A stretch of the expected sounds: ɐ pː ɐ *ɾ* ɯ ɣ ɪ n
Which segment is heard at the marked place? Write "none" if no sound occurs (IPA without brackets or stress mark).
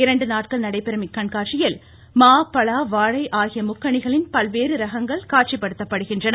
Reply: ɽ